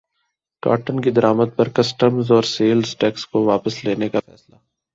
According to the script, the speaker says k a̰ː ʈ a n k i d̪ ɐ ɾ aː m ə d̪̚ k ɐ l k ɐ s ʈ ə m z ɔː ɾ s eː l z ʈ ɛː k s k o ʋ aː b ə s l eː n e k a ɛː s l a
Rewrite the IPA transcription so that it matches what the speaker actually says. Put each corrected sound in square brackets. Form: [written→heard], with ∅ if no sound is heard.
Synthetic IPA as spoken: k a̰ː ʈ [a→ə] n k i d̪ ɐ ɾ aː m ə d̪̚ [k→p] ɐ [l→ɾ] k ɐ s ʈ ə m z ɔː ɾ s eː l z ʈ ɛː k s k o ʋ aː [b→p] ə s l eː n e k a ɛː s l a